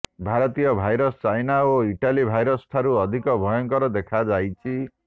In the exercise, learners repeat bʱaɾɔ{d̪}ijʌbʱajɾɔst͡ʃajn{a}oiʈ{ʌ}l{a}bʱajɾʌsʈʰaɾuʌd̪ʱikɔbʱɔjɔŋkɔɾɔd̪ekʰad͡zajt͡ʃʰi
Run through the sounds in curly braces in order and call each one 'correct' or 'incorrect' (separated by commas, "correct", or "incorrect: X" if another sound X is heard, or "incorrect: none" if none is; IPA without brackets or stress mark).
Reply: incorrect: t̪, correct, incorrect: a, incorrect: i